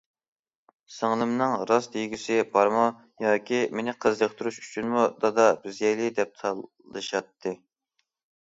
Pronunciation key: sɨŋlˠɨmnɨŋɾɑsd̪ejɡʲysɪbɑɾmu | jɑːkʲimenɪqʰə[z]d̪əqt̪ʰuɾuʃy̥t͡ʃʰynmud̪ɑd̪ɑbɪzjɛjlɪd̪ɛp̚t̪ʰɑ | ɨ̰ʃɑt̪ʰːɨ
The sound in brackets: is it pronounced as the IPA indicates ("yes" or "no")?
yes